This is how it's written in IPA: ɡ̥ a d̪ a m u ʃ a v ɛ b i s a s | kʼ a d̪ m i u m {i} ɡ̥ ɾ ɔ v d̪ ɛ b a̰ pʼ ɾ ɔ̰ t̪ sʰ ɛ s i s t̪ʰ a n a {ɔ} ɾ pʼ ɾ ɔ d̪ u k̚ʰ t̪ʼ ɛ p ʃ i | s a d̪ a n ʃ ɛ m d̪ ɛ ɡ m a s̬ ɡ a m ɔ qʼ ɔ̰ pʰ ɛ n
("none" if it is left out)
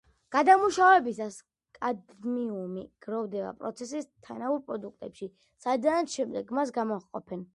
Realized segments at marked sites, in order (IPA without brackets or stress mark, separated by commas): i, u